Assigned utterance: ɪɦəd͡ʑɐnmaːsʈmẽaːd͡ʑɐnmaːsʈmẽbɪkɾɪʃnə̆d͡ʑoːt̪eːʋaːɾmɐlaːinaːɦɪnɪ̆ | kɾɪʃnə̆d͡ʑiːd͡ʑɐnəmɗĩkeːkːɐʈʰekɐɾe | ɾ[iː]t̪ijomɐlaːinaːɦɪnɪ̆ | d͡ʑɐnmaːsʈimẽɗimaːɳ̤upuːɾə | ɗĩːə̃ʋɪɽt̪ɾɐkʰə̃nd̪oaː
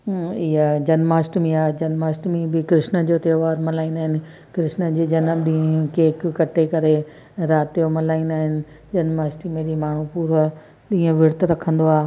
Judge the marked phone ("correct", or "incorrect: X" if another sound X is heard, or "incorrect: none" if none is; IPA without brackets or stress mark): incorrect: aː